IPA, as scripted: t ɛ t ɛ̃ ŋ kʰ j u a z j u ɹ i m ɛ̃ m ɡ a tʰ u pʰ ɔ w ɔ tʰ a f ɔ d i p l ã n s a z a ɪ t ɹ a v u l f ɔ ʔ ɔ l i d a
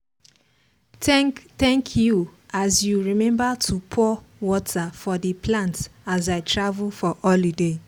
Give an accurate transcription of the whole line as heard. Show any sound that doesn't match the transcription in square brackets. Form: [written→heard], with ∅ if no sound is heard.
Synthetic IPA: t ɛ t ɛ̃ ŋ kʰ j u a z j u ɹ i m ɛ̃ m [ɡ→b] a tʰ u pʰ ɔ w ɔ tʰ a f ɔ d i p l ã n [s→t] a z a ɪ t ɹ a v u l f ɔ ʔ ɔ l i d [a→e]